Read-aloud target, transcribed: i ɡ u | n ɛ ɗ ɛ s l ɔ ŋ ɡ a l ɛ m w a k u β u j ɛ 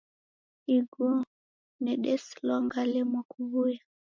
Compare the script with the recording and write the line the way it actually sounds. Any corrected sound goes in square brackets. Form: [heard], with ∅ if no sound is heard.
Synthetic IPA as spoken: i ɡ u | n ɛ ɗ ɛ s l ɔ ŋ ɡ a l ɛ m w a k u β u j [a]